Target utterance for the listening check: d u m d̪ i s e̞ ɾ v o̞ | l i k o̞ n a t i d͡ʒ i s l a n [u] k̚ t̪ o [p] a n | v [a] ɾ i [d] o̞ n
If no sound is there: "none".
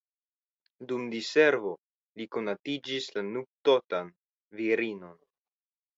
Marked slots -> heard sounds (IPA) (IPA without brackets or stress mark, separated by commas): u, t, i, n